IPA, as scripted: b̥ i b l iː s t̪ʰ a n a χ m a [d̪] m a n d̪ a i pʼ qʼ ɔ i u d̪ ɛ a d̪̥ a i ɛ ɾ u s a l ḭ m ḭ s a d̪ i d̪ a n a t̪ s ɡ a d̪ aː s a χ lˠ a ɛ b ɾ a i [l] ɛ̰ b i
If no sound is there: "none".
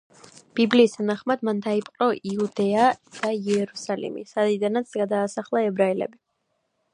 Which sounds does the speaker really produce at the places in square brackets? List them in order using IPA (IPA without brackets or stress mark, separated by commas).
d̪, l